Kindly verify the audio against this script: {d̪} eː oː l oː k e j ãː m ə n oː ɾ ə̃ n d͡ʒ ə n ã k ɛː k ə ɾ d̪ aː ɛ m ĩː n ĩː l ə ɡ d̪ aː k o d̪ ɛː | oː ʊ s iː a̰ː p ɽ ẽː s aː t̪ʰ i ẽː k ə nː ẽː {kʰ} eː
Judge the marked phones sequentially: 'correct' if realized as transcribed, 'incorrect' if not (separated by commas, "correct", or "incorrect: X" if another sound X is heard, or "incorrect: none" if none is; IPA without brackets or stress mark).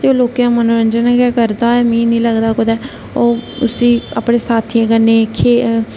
incorrect: t̪, correct